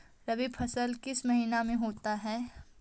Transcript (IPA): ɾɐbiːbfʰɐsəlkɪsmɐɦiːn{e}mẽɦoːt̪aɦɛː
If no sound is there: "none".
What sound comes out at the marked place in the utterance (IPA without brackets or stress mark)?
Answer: a